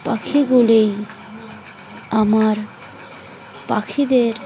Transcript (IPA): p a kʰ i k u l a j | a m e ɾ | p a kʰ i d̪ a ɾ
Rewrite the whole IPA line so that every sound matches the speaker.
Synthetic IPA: p a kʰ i ɡ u l e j | a m a ɾ | p a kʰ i d̪ e ɾ